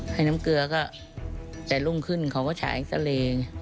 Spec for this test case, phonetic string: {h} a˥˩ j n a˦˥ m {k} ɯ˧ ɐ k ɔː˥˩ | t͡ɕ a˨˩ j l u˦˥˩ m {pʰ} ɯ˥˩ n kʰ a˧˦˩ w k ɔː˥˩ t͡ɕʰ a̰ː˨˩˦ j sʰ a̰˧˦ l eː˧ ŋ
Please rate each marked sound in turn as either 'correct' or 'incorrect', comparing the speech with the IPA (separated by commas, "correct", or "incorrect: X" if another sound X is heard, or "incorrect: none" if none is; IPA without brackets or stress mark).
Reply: correct, correct, incorrect: kʰ